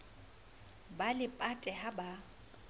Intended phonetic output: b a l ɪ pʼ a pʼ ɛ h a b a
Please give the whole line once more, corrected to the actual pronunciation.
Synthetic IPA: b a l ɪ pʼ a tʼ ɛ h a b a